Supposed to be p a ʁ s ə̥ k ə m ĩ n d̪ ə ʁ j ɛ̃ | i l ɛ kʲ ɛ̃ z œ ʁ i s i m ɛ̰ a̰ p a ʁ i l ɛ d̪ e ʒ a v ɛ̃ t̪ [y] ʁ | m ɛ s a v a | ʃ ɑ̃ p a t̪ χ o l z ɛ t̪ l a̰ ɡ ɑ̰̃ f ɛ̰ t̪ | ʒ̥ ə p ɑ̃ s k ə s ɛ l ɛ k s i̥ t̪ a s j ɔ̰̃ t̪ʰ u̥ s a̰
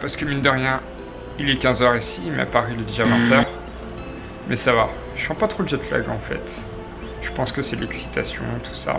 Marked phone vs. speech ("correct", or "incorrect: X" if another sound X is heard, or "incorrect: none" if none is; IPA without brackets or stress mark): incorrect: œ